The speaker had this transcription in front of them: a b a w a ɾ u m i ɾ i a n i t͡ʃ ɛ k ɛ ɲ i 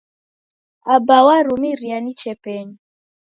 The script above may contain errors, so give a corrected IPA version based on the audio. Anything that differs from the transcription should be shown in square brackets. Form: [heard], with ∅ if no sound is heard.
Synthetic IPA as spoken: a b a w a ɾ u m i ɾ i a n i t͡ʃ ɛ [p] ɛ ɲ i